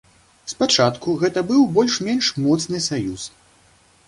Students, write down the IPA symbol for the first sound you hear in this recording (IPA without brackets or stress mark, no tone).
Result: s